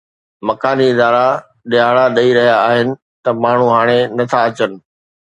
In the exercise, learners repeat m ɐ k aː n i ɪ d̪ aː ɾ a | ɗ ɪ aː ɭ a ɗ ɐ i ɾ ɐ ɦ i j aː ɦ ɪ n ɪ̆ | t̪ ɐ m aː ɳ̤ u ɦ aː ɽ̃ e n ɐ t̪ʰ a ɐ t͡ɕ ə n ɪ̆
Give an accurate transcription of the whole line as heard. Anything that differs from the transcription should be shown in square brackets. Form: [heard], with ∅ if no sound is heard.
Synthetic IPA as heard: m ɐ k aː n i ɪ d̪ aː ɾ a | ɗ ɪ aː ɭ a ɗ ɐ i ɾ ɐ ɦ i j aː ɦ ɪ n ɪ̆ | t̪ ɐ m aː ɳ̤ u ɦ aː ɽ̃ e n ɐ t̪ʰ a ɐ t͡ɕ ə n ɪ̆